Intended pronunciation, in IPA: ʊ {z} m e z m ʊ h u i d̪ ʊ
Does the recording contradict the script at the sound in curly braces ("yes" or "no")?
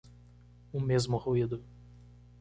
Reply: yes